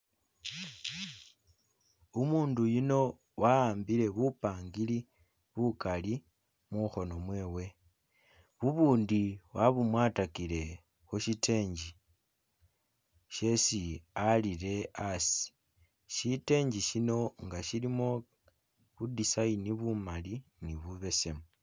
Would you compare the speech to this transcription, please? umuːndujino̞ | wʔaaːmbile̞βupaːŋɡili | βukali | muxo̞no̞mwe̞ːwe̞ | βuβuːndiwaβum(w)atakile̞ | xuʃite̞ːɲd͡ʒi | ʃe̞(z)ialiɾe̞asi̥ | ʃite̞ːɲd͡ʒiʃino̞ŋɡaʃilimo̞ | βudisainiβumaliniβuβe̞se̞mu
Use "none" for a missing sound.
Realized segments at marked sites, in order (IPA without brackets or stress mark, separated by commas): w, s